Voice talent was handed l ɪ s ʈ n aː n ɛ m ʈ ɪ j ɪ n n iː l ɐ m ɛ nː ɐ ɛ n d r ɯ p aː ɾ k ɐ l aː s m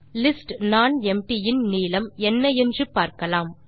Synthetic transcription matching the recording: l ɪ s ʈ n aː n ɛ m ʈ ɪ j ɪ n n iː l ɐ m ɛ nː ɐ ɛ n d r ɯ p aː ɾ k ɐ l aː m

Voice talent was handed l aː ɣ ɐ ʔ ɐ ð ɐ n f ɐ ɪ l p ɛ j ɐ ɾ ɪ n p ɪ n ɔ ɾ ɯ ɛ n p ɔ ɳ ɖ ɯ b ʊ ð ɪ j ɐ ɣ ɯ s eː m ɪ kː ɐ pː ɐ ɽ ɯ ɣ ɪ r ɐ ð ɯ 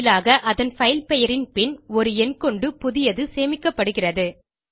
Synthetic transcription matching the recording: l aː ɣ ɐ ʔ ɐ ð ɐ n f ɐ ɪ l p ɛ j ɐ ɾ ɪ n p ɪ n ɔ ɾ ɯ ɛ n k ɔ ɳ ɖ ɯ p ʊ ð ɪ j ɐ ð ɯ s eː m ɪ kː ɐ pː ɐ ɽ ɯ ɣ ɪ r ɐ ð ɯ

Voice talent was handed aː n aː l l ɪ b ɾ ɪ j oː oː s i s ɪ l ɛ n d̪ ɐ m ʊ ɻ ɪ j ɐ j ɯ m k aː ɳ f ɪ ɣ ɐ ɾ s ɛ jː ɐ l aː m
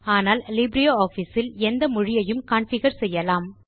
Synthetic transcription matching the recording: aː n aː l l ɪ b ɾ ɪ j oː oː f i s ɪ l ɛ n d̪ ɐ m ʊ ɻ ɪ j ɐ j ɯ m k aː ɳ f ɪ ɣ ɐ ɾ s ɛ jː ɐ l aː m

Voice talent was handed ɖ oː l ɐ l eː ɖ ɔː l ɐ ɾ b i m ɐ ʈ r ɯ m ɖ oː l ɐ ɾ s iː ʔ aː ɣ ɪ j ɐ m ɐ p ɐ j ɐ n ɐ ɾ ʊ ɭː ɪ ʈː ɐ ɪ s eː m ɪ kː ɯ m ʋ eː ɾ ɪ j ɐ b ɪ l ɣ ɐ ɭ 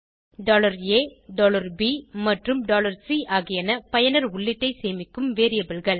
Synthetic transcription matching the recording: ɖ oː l ɐ ɾ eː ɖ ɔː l ɐ ɾ b i m ɐ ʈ r ɯ m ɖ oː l ɐ ɾ s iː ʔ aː ɣ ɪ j ɐ n ɐ p ɐ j ɐ n ɐ ɾ ʊ ɭː ɪ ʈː ɐ ɪ s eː m ɪ kː ɯ m ʋ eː ɾ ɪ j ɐ b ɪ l ɣ ɐ ɭ

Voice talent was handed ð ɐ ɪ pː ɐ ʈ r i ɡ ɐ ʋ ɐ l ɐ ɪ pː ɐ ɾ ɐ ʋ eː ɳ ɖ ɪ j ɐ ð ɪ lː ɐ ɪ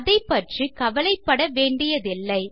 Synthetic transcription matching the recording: ð ɐ ɪ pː ɐ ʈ r i k ɐ ʋ ɐ l ɐ ɪ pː ɐ ɽ ɐ ʋ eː ɳ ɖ ɪ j ɐ ð ɪ lː ɐ ɪ

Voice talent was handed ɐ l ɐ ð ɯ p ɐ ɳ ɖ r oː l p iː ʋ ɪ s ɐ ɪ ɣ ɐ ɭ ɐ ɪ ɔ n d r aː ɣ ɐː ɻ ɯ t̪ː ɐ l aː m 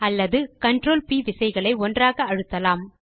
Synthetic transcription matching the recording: ɐ lː ɐ ð ɯ k ɐ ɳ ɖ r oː l p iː ʋ ɪ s ɐ ɪ ɣ ɐ ɭ ɐ ɪ ɔ n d r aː ɣ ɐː ɻ ɯ t̪ː ɐ l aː m

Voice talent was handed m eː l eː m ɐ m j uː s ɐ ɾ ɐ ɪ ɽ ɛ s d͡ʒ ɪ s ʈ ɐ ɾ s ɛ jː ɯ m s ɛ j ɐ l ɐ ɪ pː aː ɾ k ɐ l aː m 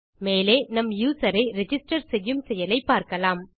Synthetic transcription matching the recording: m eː l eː n ɐ m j uː s ɐ ɾ ɐ ɪ ɾ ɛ d͡ʒ ɪ s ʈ ɐ ɾ s ɛ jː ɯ m s ɛ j ɐ l ɐ ɪ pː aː ɾ k ɐ l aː m

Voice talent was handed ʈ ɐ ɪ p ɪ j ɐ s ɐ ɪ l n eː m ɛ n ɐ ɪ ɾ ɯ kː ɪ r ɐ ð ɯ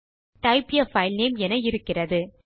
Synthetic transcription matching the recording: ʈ ɐ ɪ p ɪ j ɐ f ɐ ɪ l n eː m ɛ n ɐ ɪ ɾ ɯ kː ɪ r ɐ ð ɯ

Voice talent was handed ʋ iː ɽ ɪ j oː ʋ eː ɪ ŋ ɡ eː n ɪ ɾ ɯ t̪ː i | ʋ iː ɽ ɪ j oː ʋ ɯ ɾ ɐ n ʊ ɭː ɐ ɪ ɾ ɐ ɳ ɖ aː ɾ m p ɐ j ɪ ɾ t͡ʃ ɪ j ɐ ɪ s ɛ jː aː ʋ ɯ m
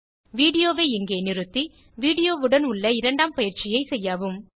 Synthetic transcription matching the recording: ʋ iː ɽ ɪ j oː ʋ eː ɪ ŋ ɡ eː n ɪ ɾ ɯ t̪ː i | ʋ iː ɽ ɪ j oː ʋ ɯ ɽ ɐ n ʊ ɭː ɐ ɪ ɾ ɐ ɳ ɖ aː m p ɐ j ɪ ɾ t͡ʃ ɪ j ɐ ɪ s ɛ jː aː ʋ ɯ m

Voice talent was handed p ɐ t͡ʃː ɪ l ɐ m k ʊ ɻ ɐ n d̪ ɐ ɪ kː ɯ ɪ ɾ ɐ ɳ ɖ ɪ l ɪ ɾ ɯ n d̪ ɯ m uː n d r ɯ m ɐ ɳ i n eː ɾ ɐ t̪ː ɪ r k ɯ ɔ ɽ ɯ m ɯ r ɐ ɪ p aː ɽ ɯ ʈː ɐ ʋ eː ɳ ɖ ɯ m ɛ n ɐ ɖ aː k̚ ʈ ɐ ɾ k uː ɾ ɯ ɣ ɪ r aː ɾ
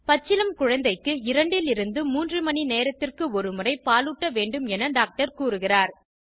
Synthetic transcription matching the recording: p ɐ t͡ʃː ɪ l ɐ m k ʊ ɻ ɐ n d̪ ɐ ɪ kː ɯ ɪ ɾ ɐ ɳ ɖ ɪ l ɪ ɾ ɯ n d̪ ɯ m uː n d r ɯ m ɐ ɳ i n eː ɾ ɐ t̪ː ɪ r k ɯ ɔ ɾ ɯ m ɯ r ɐ ɪ p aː l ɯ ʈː ɐ ʋ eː ɳ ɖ ɯ m ɛ n ɐ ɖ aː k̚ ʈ ɐ ɾ k uː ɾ ɯ ɣ ɪ r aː ɾ

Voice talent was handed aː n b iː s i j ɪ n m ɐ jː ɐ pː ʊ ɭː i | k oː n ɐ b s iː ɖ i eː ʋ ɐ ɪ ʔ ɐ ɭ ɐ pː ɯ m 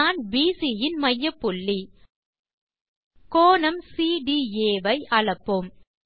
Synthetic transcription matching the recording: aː n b iː s i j ɪ n m ɐ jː ɐ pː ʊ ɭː i | k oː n ɐ m s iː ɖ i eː ʋ ɐ ɪ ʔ ɐ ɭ ɐ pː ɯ m

